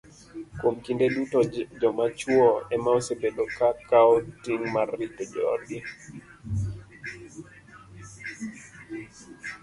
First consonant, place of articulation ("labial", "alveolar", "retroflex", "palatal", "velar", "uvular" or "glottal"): velar